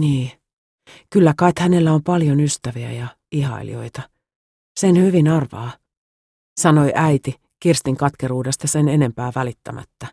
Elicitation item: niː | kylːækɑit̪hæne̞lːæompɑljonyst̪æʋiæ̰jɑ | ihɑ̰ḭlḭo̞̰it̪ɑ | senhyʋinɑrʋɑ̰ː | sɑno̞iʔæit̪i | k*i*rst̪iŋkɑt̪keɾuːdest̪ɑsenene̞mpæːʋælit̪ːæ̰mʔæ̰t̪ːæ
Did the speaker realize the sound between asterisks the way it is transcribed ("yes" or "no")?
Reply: yes